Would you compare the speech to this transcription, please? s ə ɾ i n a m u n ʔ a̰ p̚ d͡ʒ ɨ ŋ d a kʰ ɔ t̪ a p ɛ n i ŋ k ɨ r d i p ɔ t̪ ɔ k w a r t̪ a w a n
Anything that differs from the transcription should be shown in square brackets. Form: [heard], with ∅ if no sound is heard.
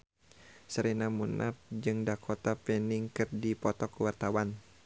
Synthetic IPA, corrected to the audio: s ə ɾ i n a m u n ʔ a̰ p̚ d͡ʒ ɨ ŋ d a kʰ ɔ t̪ a p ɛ n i ŋ k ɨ r d i p ɔ t̪ ɔ k w a r t̪ a w a n